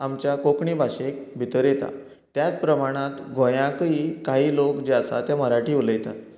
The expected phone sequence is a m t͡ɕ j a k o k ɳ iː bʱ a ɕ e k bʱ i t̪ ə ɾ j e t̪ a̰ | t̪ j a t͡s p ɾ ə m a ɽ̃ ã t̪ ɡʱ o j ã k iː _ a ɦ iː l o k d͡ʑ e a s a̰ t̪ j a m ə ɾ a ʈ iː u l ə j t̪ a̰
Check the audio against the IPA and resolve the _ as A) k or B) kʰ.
A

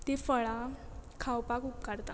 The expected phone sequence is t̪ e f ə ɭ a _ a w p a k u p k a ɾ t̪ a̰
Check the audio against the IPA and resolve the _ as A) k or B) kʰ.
B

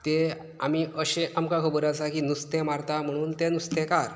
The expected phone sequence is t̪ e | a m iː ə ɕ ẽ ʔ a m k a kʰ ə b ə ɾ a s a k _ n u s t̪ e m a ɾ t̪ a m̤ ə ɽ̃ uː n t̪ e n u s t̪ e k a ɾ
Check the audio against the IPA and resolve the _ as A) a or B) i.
B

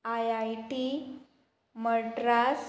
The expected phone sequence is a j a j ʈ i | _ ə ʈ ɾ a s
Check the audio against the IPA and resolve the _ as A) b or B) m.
B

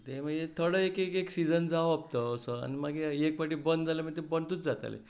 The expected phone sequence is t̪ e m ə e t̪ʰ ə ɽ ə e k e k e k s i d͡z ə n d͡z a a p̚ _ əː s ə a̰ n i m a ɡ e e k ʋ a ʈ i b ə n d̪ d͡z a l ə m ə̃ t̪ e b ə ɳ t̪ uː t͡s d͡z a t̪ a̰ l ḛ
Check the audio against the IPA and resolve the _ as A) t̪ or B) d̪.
A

